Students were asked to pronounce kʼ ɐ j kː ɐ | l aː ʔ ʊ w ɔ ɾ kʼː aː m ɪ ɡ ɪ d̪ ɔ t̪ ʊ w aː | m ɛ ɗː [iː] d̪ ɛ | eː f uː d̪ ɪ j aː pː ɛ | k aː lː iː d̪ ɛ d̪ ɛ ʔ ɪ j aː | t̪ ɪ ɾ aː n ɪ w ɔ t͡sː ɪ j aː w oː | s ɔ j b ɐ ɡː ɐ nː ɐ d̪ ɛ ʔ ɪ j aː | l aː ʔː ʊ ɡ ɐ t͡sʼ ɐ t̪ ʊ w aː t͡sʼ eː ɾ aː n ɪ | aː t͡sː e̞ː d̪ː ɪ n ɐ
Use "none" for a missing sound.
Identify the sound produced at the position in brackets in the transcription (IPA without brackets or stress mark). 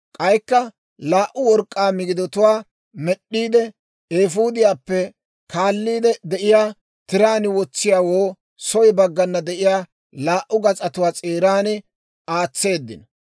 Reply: iː